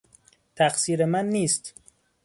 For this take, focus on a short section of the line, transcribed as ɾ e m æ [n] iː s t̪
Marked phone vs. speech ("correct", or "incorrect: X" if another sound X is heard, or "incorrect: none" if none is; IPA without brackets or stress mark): incorrect: nː